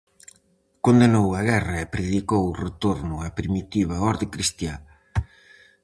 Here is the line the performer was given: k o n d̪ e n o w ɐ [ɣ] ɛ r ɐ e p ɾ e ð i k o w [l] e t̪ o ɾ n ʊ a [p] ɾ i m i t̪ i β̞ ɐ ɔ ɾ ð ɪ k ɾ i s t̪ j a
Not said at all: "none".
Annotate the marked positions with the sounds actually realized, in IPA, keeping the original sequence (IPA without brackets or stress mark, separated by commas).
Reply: ɣ, r, p